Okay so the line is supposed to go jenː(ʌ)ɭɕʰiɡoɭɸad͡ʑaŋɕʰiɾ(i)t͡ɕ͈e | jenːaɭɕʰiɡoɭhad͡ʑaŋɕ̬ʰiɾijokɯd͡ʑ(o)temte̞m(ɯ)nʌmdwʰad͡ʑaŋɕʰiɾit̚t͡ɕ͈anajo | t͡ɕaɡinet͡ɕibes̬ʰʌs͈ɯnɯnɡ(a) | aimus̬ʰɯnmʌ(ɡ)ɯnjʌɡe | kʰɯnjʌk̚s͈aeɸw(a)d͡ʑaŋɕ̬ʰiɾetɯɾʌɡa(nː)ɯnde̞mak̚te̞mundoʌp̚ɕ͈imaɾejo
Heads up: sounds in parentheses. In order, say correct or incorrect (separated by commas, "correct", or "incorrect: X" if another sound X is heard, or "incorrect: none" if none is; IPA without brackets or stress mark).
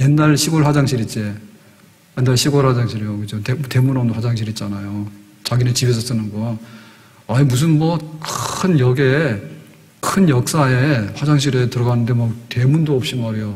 incorrect: a, correct, correct, incorrect: u, incorrect: ʌ, incorrect: k, correct, incorrect: n